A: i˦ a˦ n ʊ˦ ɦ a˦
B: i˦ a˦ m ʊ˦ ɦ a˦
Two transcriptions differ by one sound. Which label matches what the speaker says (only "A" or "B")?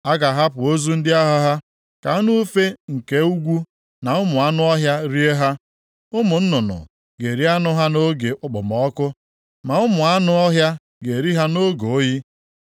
A